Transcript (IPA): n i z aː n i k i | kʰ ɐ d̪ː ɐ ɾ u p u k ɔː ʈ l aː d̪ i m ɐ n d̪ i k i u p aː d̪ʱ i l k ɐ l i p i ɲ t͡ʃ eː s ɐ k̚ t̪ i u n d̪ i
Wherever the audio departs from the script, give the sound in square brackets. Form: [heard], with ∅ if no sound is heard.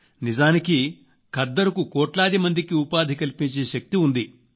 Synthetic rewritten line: n i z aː n i k i | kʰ ɐ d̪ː ɐ ɾ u [k] u k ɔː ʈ l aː d̪ i m ɐ n d̪ i k i u p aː d̪ʱ i [∅] k ɐ l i p i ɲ t͡ʃ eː [ʃ] ɐ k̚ t̪ i u n d̪ i